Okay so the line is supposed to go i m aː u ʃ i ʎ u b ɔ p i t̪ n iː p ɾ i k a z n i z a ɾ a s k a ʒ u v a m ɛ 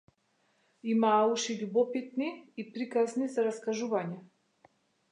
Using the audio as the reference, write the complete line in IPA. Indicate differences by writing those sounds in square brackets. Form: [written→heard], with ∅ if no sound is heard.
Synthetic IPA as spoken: i m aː u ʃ i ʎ u b ɔ p i t̪ n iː p ɾ i k a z n i z a ɾ a s k a ʒ u v a [m→ɲ] ɛ